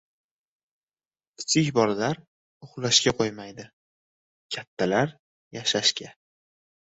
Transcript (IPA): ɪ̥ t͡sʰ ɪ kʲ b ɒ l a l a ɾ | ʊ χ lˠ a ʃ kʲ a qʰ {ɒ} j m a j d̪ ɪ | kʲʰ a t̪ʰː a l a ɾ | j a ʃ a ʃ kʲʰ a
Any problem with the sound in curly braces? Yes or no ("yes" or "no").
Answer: yes